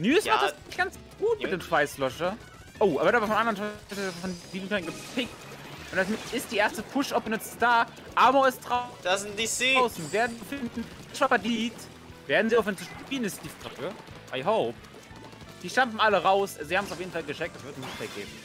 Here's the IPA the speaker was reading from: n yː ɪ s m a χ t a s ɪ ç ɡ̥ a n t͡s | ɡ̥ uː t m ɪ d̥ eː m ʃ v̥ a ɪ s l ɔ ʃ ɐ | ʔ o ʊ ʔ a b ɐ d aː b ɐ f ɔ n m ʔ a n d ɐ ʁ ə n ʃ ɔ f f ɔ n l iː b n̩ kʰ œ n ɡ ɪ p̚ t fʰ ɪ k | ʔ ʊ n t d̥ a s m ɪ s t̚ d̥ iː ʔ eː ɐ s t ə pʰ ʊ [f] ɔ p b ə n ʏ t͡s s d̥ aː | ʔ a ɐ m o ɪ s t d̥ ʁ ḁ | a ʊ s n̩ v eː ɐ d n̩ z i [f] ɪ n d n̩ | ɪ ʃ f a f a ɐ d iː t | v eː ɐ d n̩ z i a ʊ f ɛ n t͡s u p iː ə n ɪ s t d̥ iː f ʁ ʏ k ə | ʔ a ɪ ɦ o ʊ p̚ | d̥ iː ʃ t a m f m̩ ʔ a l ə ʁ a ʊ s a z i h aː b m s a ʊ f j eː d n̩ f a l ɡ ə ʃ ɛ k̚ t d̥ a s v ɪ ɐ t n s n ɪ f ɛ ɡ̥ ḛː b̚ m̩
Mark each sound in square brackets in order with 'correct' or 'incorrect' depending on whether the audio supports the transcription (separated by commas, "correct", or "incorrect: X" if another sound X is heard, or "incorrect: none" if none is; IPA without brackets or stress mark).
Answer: incorrect: ʃ, correct